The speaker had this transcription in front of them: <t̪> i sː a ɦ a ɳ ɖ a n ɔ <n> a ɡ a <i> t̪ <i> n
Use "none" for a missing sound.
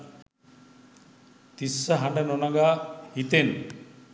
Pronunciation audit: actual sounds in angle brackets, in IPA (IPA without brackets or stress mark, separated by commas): t̪, n, i, e